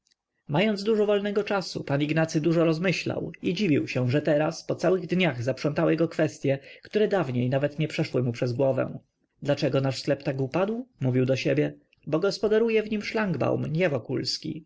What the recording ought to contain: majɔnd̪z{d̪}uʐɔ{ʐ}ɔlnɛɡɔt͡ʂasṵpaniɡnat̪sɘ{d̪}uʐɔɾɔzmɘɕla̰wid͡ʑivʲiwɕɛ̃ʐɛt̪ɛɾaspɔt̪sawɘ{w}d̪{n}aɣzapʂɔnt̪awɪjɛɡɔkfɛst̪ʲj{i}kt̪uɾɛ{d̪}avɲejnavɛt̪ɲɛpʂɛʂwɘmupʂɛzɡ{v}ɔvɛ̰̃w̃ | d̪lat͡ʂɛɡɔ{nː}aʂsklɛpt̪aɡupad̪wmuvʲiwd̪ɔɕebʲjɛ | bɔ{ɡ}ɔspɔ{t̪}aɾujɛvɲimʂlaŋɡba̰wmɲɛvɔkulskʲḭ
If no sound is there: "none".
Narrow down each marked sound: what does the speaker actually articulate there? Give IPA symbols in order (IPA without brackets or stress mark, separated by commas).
d̪, v, d̪, ɣ, ɲ, ɛ, d̪, w, n, ɡ, d̪